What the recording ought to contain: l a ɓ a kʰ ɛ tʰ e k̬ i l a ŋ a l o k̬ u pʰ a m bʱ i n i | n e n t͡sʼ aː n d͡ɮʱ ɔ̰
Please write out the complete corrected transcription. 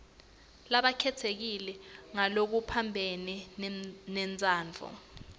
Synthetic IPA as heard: l a ɓ a kʰ ɛ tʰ e k̬ i l ɛ ŋ a l o k̬ u pʰ a m bʱ e n i | n ɛ n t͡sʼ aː n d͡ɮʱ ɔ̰